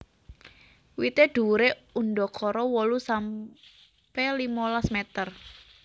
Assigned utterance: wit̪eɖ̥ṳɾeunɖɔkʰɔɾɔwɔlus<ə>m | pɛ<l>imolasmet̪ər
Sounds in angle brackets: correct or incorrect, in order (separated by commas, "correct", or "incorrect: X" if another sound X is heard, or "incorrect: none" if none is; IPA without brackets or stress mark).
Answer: incorrect: a, correct